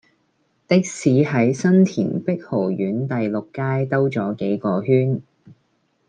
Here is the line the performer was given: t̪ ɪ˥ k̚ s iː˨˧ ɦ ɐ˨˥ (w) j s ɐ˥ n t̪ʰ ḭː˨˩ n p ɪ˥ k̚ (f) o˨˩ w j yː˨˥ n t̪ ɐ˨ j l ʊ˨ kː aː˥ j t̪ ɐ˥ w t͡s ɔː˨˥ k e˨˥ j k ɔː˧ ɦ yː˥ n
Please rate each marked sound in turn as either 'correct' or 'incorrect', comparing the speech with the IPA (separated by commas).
incorrect, incorrect